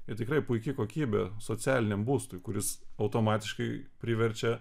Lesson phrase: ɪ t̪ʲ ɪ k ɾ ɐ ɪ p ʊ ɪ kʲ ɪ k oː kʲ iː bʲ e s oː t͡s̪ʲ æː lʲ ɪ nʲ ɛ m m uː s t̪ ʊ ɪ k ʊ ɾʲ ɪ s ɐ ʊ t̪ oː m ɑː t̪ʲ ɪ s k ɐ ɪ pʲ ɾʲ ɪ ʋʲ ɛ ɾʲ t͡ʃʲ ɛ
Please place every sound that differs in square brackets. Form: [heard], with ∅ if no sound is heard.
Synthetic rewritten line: ɪ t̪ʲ ɪ k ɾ ɐ ɪ p ʊ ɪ kʲ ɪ k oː kʲ iː bʲ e s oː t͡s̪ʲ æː lʲ ɪ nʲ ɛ m [b] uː s t̪ ʊ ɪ k ʊ ɾʲ ɪ s ɐ ʊ t̪ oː m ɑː t̪ʲ ɪ [ʃ] k ɐ ɪ pʲ ɾʲ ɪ ʋʲ ɛ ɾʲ t͡ʃʲ ɛ

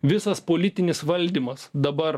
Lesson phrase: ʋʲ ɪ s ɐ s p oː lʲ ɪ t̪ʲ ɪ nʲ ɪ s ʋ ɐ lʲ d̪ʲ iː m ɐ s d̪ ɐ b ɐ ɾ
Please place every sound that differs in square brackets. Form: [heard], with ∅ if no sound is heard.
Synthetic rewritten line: ʋʲ ɪ s ɐ s p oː lʲ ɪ t̪ʲ ɪ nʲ ɪ s ʋ ɐ lʲ d̪ʲ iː m ɐ s d̪ ɐ b ɐ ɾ

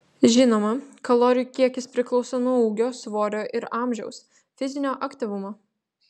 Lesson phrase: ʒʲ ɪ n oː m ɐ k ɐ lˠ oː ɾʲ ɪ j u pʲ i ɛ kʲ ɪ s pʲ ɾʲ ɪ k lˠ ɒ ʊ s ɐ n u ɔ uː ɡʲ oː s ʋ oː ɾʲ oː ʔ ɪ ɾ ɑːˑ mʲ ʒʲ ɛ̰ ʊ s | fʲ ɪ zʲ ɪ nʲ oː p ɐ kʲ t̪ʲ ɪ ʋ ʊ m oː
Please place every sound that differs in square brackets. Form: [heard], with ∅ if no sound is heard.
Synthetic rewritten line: ʒʲ ɪ n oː m ɐ k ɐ lˠ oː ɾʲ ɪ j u [kʲ] i ɛ kʲ ɪ s pʲ ɾʲ ɪ k lˠ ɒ ʊ s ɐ n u ɔ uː ɡʲ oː s ʋ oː ɾʲ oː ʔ ɪ ɾ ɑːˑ mʲ ʒʲ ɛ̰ ʊ s | fʲ ɪ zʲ ɪ nʲ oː [ʔ] ɐ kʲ t̪ʲ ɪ ʋ ʊ m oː

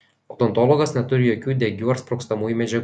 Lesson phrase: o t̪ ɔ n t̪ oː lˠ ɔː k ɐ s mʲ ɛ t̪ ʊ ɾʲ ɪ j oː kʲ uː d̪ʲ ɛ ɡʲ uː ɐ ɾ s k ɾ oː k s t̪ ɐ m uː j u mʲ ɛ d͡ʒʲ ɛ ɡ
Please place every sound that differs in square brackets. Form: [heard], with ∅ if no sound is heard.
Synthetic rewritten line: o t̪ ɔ n t̪ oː lˠ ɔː [ɡ] ɐ s [nʲ] ɛ t̪ ʊ ɾʲ ɪ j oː kʲ uː d̪ʲ ɛ ɡʲ uː ɐ ɾ s [p] ɾ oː k s t̪ ɐ m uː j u mʲ ɛ d͡ʒʲ ɛ ɡ

